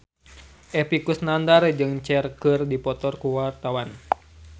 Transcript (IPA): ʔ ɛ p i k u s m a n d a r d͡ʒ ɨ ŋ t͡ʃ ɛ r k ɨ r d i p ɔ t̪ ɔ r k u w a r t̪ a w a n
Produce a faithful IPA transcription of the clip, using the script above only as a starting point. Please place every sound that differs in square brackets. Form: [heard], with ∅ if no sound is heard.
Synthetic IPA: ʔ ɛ p i k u s [n] a n d a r d͡ʒ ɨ ŋ t͡ʃ ɛ r k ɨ r d i p ɔ t̪ ɔ r k u w a r t̪ a w a n